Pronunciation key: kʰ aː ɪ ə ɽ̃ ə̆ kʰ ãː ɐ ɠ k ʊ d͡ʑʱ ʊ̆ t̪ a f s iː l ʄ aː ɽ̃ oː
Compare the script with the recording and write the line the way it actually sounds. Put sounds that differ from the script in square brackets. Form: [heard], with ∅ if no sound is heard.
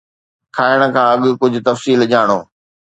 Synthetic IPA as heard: kʰ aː ɪ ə ɽ̃ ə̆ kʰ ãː ɐ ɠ k ʊ d͡ʑʱ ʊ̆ t̪ [ɐ] f s iː l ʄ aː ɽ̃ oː

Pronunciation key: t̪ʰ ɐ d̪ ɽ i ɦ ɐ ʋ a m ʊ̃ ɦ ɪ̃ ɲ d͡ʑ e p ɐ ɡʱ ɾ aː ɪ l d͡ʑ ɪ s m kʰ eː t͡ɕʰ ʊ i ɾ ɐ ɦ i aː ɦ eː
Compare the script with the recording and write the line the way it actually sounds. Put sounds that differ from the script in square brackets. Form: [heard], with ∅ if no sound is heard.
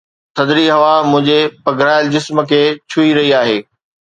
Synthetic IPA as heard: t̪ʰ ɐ d̪ [ɾ] i ɦ ɐ ʋ a m ʊ̃ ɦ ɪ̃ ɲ d͡ʑ e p ɐ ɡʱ ɾ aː ɪ l d͡ʑ ɪ s m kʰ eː t͡ɕʰ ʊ i ɾ ɐ ɦ i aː ɦ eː

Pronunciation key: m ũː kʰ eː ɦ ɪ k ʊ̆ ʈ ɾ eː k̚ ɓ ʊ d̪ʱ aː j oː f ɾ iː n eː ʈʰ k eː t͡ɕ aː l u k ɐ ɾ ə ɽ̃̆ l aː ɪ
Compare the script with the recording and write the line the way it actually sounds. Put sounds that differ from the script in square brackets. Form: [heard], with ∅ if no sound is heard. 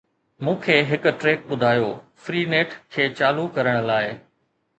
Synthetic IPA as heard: m ũː kʰ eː ɦ ɪ k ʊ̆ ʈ ɾ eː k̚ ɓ ʊ d̪ʱ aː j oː f ɾ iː n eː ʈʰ [kʰ] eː t͡ɕ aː l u k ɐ ɾ ə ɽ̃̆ l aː ɪ

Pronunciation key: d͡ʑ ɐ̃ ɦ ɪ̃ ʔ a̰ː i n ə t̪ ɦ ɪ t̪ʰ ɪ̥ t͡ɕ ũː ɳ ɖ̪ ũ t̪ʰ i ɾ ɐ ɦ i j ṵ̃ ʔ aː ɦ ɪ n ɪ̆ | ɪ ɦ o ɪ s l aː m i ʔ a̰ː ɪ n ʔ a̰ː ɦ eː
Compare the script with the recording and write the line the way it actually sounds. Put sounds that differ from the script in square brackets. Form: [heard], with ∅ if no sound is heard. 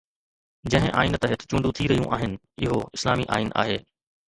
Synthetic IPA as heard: d͡ʑ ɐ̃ ɦ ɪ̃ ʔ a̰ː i n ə t̪ ɦ ɪ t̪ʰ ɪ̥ t͡ɕ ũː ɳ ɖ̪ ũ t̪ʰ i ɾ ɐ ɦ i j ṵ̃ ʔ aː ɦ ɪ n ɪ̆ | ɪ ɦ o ɪ s l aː m i ʔ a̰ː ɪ n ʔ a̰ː ɦ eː

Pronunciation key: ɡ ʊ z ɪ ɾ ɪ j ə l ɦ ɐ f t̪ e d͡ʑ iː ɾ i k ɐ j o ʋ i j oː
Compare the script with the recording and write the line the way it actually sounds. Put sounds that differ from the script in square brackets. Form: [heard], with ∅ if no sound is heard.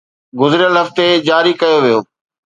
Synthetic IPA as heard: ɡ ʊ z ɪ ɾ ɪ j ə l ɦ ɐ f t̪ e d͡ʑ [aː] ɾ i k ɐ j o ʋ i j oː

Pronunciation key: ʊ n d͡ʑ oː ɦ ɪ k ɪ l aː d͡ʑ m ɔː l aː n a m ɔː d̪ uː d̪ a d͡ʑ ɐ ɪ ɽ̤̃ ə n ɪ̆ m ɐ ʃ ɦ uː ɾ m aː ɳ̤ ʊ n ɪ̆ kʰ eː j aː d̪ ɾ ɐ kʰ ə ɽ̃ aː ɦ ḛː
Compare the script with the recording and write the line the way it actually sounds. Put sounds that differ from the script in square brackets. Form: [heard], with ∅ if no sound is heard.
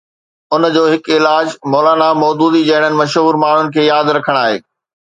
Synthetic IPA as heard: ʊ n d͡ʑ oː ɦ ɪ k ɪ l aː d͡ʑ m ɔː l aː n a m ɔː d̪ uː d̪ [i] d͡ʑ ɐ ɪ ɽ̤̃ ə n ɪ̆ m ɐ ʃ ɦ uː ɾ m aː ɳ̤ ʊ n ɪ̆ kʰ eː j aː d̪ ɾ ɐ kʰ ə ɽ̃ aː ɦ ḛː

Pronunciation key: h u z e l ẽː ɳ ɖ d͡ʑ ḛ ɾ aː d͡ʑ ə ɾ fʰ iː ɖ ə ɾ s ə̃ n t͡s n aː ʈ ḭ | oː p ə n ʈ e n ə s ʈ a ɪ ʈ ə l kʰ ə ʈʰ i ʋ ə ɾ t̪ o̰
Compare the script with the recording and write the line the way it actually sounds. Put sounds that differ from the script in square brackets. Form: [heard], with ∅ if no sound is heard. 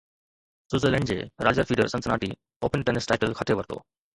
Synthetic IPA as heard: [s] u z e l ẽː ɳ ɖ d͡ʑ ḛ ɾ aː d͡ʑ ə ɾ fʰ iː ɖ ə ɾ s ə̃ n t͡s n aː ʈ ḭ | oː p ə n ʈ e n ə s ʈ a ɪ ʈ ə l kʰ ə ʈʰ [e] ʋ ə ɾ t̪ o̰

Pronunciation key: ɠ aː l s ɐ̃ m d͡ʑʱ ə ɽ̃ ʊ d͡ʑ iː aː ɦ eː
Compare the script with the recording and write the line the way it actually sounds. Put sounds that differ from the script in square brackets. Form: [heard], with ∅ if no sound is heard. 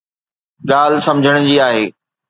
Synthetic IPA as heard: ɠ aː l s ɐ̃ m d͡ʑʱ ə ɽ̃ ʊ d͡ʑ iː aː ɦ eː

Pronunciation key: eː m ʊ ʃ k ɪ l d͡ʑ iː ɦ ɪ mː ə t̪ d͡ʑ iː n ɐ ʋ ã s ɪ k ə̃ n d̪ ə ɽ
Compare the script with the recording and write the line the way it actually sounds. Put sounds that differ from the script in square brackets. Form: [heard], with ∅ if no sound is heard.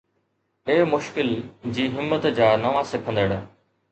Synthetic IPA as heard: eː m ʊ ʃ k ɪ l d͡ʑ iː ɦ ɪ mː ə t̪ d͡ʑ [aː] n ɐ ʋ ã s ɪ [kʰ] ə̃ n d̪ ə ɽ

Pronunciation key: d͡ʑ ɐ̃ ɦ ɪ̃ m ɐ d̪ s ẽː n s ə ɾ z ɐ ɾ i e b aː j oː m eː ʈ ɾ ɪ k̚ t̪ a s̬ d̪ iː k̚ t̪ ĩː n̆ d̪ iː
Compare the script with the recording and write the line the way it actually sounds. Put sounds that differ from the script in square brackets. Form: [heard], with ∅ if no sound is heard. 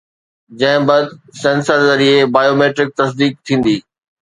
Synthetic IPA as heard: d͡ʑ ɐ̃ ɦ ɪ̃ [b] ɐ d̪ s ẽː n s ə ɾ z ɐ ɾ i e b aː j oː m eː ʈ ɾ ɪ k̚ t̪ [ɐ] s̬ d̪ iː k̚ [t̪ʰ] ĩː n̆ d̪ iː

